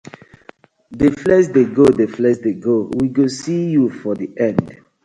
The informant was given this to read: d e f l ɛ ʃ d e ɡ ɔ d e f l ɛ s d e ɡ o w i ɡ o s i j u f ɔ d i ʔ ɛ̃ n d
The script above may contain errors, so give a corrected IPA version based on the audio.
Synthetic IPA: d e f l ɛ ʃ d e ɡ o d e f l ɛ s d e ɡ o w i ɡ o s i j u f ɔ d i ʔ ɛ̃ n d